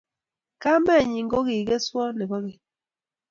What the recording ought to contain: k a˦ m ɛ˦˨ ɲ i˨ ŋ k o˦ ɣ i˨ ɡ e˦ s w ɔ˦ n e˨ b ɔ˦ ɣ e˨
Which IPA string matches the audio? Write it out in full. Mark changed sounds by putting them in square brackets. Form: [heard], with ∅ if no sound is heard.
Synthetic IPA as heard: k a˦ m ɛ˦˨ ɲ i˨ ŋ [ɡ] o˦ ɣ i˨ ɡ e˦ s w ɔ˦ n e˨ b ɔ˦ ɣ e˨

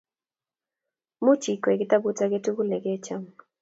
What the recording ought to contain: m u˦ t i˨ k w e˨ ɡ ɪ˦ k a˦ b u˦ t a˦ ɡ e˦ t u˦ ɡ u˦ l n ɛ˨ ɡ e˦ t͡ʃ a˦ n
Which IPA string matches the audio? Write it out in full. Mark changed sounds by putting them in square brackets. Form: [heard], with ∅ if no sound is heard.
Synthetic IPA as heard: m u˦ [t͡ʃ] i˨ k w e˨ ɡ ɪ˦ [t] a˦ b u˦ t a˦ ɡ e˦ t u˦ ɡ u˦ l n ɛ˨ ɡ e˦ t͡ʃ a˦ [m]

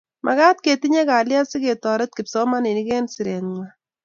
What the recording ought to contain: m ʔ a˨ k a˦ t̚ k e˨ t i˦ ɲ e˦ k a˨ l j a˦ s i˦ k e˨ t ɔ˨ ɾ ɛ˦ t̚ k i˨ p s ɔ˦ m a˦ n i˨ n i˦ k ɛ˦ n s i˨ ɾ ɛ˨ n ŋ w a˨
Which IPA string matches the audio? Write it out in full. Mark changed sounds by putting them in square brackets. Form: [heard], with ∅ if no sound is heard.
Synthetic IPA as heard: m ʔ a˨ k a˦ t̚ k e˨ t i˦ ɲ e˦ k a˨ l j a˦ s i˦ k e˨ t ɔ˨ ɾ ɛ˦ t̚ k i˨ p s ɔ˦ m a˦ n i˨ n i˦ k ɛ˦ n s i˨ ɾ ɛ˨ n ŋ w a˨

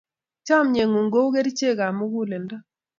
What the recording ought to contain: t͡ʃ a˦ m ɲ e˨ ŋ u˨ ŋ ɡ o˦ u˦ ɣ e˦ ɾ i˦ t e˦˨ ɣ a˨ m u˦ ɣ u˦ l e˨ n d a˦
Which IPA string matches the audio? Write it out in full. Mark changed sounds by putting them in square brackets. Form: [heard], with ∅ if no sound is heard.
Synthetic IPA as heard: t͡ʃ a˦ m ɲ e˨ ŋ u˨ ŋ ɡ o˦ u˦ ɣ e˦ ɾ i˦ [t͡ʃ] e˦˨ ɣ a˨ m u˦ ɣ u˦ l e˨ n d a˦

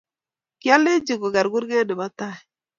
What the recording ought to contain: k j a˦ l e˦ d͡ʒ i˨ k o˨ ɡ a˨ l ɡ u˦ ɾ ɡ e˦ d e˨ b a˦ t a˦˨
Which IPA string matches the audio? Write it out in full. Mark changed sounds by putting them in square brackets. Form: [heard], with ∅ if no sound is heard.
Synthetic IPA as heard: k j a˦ l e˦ d͡ʒ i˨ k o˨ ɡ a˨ [ɾ] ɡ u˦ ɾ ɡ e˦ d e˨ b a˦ t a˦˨

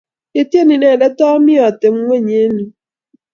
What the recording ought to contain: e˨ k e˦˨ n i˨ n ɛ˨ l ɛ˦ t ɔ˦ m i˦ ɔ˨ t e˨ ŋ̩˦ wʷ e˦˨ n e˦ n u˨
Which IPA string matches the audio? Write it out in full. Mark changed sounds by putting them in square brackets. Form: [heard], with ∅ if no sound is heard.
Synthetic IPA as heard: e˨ [t] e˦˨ n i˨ n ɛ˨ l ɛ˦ t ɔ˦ m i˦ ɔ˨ t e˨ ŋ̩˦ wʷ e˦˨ [ɲ] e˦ n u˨

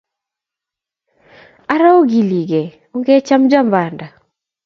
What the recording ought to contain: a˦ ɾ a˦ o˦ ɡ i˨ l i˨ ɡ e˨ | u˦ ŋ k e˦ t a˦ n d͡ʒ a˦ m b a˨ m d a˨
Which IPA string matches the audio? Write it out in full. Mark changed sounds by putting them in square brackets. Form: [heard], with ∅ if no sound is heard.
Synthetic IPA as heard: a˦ ɾ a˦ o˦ ɡ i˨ l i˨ ɡ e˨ | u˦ ŋ [ɡ] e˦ [t͡ʃ] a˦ [m] d͡ʒ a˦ m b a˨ [n] d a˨

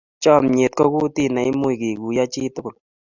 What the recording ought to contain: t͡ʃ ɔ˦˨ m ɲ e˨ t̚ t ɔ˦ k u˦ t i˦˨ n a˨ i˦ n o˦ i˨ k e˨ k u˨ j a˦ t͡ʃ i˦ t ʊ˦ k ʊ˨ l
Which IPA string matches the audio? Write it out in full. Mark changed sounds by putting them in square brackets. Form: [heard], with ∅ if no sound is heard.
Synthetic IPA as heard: t͡ʃ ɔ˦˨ m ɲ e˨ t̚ [k] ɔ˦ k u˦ t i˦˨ n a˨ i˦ [m] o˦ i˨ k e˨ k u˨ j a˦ t͡ʃ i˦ t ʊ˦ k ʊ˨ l

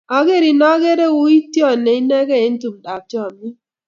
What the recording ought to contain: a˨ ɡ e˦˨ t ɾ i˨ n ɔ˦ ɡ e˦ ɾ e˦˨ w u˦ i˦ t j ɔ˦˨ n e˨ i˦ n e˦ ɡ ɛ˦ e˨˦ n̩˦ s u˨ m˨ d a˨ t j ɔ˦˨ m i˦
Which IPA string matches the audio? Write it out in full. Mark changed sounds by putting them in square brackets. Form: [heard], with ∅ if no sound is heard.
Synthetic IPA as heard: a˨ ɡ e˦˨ [∅] ɾ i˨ n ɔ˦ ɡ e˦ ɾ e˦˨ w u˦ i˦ t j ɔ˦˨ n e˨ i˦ n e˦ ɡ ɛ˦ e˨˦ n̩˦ [t] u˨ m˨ d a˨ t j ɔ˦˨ m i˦

